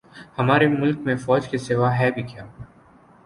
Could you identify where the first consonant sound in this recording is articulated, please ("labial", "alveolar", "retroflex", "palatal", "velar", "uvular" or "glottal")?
glottal